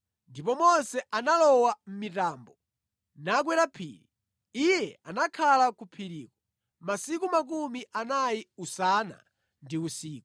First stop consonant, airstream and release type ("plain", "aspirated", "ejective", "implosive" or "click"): plain